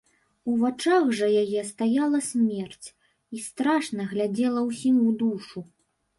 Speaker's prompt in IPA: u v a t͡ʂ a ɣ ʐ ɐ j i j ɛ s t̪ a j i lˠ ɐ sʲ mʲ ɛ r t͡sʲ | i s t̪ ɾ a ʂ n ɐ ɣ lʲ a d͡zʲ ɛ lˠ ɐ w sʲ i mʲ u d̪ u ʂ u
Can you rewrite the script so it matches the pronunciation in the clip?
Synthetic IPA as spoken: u v a t͡ʂ a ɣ ʐ ɐ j a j ɛ s t̪ a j a lˠ ɐ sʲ mʲ ɛ r t͡sʲ | i s t̪ ɾ a ʂ n ɐ ɣ lʲ a d͡zʲ ɛ lˠ ɐ w sʲ i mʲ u d̪ u ʂ u